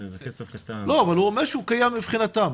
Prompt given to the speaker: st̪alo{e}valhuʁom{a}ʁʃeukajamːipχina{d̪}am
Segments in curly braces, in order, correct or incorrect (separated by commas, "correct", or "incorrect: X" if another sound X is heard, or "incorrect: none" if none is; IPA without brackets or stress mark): incorrect: a, incorrect: e, incorrect: t̪